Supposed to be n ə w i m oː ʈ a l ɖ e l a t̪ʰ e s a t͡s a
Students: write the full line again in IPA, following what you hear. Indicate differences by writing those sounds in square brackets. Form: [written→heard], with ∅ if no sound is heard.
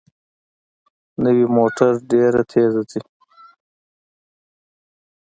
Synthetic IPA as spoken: n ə w i m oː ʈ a [l→ɾ] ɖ e [l→ɾ] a t̪ʰ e [s→z] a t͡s [a→i]